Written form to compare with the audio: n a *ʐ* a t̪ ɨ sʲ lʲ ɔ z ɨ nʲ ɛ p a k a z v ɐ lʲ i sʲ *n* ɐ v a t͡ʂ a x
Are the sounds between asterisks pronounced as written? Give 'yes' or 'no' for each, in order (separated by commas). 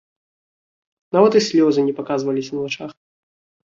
no, yes